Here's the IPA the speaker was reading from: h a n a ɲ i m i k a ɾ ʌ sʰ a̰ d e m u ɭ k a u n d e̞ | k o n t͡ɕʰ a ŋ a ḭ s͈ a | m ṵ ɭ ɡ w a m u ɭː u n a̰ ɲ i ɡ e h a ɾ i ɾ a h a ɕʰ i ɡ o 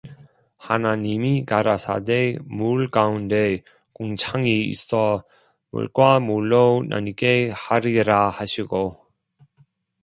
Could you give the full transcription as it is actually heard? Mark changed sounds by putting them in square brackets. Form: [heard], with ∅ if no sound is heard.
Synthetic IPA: h a n a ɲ i m i k a ɾ [a] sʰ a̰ d e m u ɭ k a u n d e̞ | k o [ŋ] t͡ɕʰ a ŋ [i] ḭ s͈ [ʌ] | m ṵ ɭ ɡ w a m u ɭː [o] n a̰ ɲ i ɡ e h a ɾ i ɾ a h a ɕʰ i ɡ o